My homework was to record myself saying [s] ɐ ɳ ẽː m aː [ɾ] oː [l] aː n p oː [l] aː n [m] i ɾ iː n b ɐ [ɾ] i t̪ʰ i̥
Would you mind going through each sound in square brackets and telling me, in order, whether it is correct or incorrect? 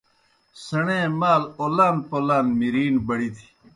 correct, incorrect, correct, correct, correct, incorrect

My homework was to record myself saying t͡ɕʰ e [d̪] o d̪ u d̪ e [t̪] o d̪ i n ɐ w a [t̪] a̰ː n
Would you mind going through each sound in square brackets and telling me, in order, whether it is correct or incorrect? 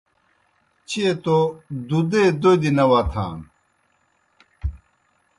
incorrect, incorrect, incorrect

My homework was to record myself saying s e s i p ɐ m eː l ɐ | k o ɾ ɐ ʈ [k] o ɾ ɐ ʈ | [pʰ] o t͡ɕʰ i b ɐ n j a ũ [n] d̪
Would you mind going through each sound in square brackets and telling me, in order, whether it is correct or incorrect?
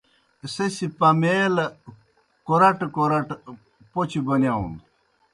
correct, incorrect, correct

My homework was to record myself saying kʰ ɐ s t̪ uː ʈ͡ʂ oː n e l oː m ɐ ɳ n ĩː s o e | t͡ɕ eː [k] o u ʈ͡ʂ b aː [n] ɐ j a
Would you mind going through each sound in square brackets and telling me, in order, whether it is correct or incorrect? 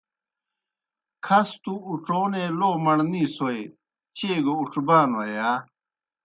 incorrect, correct

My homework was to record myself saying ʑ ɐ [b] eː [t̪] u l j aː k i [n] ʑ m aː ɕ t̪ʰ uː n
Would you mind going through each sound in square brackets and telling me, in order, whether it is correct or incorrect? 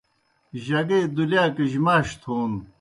incorrect, incorrect, incorrect

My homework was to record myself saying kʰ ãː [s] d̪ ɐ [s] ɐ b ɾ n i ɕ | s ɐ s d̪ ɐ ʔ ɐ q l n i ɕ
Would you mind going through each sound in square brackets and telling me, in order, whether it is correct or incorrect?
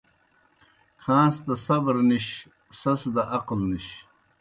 correct, correct

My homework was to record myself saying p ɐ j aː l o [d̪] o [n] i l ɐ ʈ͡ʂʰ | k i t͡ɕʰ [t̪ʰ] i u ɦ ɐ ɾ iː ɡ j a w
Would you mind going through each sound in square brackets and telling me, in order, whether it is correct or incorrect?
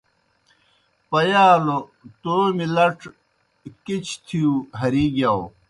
incorrect, incorrect, correct

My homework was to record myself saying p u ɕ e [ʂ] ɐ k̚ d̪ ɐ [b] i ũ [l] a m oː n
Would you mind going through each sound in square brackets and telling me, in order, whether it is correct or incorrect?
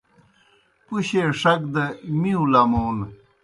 correct, incorrect, correct

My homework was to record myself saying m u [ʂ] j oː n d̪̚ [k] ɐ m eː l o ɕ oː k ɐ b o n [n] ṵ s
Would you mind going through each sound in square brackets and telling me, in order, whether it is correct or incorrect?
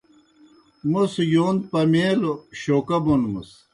incorrect, incorrect, incorrect

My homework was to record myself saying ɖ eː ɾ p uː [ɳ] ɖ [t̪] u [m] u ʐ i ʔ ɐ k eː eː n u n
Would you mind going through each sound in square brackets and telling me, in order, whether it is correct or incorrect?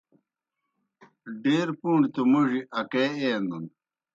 correct, correct, correct

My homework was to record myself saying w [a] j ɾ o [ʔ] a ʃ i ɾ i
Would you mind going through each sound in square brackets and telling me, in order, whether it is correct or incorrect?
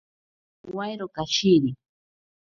correct, incorrect

